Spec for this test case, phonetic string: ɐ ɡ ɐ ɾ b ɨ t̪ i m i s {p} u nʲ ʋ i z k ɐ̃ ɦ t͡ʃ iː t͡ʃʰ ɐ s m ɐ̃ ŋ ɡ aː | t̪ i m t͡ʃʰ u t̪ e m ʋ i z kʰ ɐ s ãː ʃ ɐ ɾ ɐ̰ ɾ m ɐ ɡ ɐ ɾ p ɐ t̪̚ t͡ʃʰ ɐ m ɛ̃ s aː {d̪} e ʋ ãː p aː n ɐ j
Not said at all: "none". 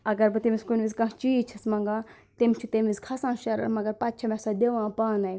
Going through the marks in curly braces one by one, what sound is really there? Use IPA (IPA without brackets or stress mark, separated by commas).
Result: k, d̪